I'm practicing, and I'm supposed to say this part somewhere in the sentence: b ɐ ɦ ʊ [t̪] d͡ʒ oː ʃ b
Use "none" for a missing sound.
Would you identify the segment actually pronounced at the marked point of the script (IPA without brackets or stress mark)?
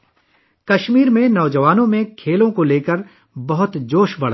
t̪